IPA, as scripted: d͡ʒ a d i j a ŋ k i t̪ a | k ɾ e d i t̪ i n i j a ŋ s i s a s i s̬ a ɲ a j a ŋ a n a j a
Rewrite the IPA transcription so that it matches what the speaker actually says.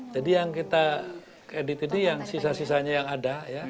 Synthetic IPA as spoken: d͡ʒ a d i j a ŋ k i t̪ a | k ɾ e d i t̪ i n i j a ŋ s i s a s i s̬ a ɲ a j a ŋ a d a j a